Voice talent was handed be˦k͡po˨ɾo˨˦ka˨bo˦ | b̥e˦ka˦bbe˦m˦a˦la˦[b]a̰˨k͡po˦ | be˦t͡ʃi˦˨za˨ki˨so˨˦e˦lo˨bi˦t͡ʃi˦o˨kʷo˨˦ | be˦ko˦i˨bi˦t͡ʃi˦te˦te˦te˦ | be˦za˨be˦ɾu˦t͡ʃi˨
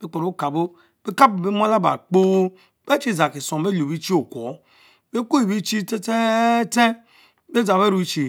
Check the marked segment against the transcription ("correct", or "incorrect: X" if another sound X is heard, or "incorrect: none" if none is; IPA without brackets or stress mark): correct